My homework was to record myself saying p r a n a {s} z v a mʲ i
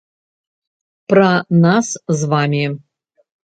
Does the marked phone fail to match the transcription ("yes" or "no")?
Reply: no